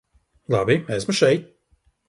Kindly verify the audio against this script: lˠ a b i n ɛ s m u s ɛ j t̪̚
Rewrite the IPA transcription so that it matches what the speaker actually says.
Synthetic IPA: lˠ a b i m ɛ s m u ʃ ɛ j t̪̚

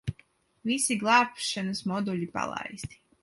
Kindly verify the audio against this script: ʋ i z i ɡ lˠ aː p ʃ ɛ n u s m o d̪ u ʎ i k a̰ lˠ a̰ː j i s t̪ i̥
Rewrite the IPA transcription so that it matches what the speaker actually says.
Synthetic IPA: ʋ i s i ɡ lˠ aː p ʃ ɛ n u s m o d̪ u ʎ i p a̰ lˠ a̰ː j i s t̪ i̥

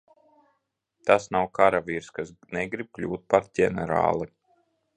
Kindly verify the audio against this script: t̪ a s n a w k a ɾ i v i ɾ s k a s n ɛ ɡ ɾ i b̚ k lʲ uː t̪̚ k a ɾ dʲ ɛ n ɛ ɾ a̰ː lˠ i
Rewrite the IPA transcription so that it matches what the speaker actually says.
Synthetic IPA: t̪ a s n a w k a ɾ a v i ɾ s k a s n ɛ ɡ ɾ i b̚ k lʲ uː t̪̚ p a ɾ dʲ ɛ n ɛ ɾ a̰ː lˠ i

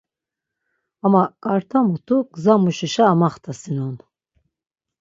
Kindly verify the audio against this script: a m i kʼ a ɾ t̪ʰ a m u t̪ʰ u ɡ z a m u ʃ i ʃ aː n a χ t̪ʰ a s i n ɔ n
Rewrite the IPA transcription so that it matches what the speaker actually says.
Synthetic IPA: a m a kʼ a ɾ t̪ʰ a m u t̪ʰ u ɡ z a m u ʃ i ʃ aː m a χ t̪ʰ a s i n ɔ n

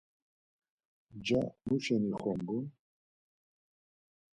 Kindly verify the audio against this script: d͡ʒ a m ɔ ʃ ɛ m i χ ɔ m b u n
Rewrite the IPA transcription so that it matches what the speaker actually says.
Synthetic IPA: d͡ʒ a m u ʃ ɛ n i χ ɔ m b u n

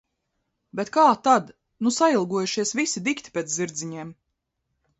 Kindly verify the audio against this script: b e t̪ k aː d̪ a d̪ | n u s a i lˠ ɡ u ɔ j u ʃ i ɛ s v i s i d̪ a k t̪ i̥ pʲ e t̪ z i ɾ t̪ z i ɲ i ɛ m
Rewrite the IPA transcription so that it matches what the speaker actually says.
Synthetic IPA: b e t̪ k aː t̪ a d̪ | n u s a i lˠ ɡ u ɔ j u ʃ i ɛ s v i s i d̪ i k t̪ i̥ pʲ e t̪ z i ɾ d̪ z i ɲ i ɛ m

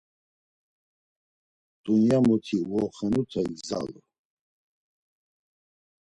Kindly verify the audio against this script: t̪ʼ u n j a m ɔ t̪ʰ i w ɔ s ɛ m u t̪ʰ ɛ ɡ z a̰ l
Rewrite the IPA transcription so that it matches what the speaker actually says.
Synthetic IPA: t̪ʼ u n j a m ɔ t̪ʰ i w ɔ χ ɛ n u t̪ʰ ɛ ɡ z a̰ l

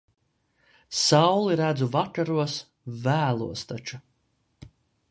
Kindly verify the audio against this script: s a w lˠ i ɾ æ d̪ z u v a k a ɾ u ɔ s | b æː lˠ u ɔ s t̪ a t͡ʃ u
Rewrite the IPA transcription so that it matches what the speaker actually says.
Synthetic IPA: s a w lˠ i ɾ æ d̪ z u v a k a ɾ u ɔ s | v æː lˠ u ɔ s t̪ a t͡ʃ u

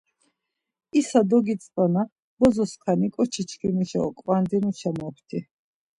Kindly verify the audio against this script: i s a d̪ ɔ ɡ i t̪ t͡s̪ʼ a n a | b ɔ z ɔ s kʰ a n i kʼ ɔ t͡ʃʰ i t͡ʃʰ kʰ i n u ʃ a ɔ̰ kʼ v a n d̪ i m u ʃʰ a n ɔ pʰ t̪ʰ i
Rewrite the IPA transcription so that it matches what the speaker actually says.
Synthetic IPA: i s a d̪ ɔ ɡ i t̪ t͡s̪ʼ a n a | b ɔ z ɔ s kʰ a n i kʼ ɔ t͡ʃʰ i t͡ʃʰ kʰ i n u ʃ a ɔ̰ kʼ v a n d̪ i n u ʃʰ a m ɔ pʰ t̪ʰ i

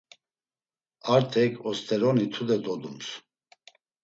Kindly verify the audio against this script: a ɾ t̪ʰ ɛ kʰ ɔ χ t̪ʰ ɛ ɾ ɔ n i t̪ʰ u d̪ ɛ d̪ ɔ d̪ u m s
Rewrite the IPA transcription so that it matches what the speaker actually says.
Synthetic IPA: a ɾ t̪ʰ ɛ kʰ ɔ s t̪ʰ ɛ ɾ ɔ n i t̪ʰ u d̪ ɛ d̪ ɔ d̪ u m s

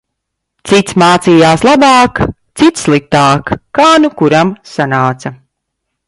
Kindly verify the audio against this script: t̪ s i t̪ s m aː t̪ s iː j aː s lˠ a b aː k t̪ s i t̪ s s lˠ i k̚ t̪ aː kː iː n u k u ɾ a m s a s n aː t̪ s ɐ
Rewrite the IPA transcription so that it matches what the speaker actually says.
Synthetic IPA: t̪ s i t̪ s m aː t̪ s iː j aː s lˠ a b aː k t̪ s i t̪ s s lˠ i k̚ t̪ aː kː aː n u k u ɾ a m s a n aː t̪ s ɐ

